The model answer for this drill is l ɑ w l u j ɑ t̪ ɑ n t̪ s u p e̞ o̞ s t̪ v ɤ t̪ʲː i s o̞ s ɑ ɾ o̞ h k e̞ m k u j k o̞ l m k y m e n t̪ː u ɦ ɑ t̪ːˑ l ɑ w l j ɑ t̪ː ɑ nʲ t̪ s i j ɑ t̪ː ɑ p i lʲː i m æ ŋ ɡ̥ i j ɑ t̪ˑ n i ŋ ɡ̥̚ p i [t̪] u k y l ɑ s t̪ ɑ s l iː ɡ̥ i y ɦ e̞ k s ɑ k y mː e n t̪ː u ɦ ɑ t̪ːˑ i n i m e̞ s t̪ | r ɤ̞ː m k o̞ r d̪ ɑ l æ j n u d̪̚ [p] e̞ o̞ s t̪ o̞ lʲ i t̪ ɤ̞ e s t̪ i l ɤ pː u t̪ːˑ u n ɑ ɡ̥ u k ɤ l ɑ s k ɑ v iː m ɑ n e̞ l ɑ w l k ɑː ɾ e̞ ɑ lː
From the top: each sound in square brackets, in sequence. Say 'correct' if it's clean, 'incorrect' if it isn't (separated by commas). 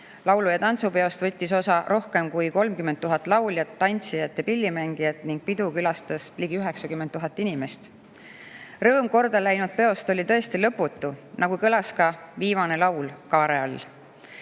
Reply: incorrect, correct